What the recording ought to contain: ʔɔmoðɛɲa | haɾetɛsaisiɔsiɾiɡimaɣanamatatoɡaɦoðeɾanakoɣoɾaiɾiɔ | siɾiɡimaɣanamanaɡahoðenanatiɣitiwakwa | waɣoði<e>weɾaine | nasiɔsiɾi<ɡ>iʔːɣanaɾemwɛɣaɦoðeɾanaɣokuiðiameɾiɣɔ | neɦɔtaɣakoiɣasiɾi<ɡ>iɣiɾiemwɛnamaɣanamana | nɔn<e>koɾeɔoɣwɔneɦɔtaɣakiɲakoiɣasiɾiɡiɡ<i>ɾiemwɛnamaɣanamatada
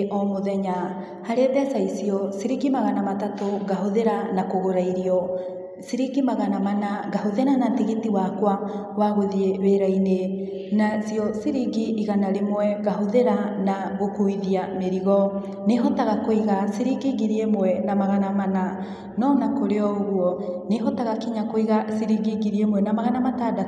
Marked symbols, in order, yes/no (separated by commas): yes, yes, yes, no, yes